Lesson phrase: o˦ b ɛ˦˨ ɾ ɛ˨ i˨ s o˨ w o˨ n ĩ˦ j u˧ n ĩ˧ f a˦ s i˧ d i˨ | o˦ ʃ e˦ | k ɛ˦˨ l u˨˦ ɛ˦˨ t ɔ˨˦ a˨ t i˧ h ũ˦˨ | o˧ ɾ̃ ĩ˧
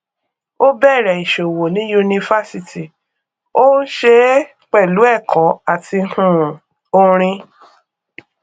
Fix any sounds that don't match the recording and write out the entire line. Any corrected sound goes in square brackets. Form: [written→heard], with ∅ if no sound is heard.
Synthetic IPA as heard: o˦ b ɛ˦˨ ɾ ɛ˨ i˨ [s→ʃ] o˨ w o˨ n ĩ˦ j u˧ n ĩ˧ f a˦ s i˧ [d→t] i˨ | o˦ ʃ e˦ | [k→k͡p] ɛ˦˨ l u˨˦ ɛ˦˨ [t→k] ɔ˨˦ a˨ t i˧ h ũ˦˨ | o˧ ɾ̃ ĩ˧